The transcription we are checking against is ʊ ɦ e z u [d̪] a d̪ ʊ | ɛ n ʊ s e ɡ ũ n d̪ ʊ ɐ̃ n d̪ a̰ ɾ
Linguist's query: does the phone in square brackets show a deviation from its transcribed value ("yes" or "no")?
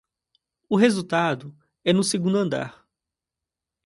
yes